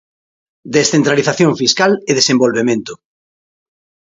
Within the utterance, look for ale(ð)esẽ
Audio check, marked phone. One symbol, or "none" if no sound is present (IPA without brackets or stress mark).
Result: ð